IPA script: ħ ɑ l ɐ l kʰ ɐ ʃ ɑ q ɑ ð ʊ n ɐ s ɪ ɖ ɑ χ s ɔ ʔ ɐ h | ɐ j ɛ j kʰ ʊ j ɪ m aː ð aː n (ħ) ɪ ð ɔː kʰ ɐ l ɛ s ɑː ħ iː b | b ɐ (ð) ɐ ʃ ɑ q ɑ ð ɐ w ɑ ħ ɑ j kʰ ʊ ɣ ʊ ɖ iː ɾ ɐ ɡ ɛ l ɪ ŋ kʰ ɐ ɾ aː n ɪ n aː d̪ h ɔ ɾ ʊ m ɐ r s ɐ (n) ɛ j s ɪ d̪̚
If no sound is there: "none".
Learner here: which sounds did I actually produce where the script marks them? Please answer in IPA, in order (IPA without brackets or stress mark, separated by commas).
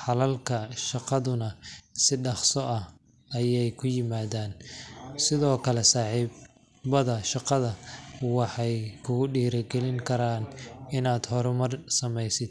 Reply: s, ð, m